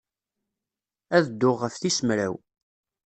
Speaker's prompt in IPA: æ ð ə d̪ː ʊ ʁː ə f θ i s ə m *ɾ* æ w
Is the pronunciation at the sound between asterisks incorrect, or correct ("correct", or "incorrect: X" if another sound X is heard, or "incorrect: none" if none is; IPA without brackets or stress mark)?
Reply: correct